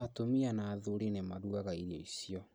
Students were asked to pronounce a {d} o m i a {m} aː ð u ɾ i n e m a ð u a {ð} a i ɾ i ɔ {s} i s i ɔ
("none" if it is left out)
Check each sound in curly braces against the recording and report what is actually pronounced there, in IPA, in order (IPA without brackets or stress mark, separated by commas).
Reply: t, n, ɣ, none